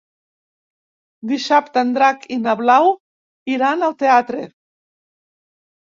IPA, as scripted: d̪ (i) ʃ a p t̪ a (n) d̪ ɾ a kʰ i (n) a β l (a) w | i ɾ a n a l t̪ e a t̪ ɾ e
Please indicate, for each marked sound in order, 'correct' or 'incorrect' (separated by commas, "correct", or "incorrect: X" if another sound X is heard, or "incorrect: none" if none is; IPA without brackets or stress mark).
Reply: correct, correct, correct, correct